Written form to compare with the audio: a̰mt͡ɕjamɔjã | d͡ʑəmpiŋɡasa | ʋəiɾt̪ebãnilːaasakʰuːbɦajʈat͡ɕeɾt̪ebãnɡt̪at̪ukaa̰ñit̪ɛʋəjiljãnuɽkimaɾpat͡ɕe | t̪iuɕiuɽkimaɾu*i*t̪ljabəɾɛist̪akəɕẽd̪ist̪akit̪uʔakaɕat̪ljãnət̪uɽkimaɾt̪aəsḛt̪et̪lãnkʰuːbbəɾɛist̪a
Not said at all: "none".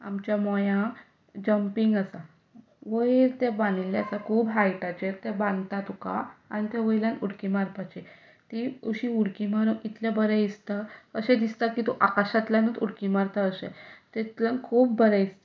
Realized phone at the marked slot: i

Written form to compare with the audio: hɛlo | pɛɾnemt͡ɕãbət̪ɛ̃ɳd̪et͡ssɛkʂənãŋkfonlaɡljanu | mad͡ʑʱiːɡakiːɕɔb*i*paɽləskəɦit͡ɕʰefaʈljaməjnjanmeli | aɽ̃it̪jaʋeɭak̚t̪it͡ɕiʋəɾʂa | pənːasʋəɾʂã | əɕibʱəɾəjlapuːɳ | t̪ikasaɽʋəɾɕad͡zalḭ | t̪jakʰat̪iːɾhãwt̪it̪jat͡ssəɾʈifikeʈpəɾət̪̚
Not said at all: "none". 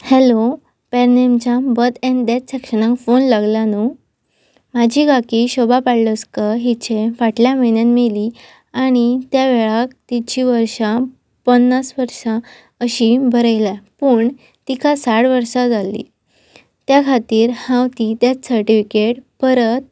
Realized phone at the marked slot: a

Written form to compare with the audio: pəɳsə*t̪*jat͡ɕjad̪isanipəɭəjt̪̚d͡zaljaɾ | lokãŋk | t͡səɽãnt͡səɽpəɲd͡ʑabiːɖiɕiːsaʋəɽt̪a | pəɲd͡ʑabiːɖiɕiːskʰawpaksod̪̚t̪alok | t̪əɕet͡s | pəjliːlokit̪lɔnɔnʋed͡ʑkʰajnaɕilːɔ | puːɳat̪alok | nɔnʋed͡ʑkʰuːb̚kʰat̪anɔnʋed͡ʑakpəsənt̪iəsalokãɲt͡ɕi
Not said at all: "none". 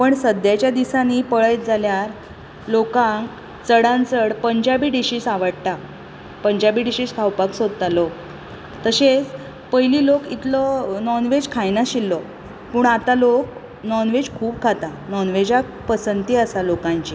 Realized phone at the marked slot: d̪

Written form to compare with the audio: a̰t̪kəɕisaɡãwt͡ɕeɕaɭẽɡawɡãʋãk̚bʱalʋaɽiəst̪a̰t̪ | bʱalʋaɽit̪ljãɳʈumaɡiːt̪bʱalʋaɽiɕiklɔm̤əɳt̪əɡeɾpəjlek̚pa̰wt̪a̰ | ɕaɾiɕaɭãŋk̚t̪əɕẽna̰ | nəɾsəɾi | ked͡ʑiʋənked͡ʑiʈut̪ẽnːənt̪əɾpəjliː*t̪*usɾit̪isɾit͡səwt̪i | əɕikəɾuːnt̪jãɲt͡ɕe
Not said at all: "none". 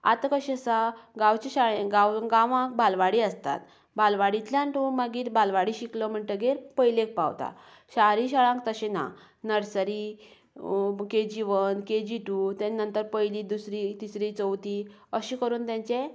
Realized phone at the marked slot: d̪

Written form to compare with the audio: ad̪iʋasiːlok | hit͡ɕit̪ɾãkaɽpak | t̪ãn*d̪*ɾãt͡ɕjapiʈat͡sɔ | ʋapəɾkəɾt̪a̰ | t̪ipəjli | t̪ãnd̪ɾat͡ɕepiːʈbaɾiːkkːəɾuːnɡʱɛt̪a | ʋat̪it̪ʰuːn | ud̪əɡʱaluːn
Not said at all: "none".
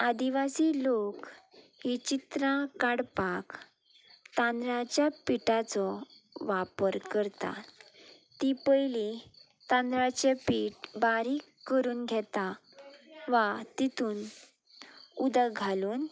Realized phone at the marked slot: d̪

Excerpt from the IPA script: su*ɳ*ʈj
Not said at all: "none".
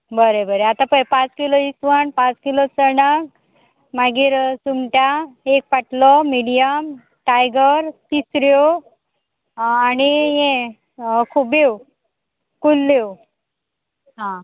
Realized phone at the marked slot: m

